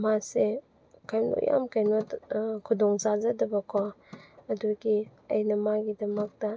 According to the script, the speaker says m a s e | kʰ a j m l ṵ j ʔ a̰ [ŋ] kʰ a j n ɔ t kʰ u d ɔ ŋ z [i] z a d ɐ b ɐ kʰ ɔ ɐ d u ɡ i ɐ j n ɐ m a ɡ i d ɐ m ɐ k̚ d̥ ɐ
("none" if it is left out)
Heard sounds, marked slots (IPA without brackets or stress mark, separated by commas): m, a